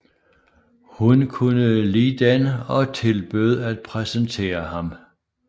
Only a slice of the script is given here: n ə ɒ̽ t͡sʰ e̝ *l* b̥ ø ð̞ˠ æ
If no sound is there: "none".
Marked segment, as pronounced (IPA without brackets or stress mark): l